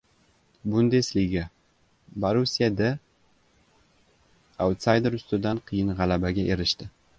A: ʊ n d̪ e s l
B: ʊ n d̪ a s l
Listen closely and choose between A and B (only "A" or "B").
A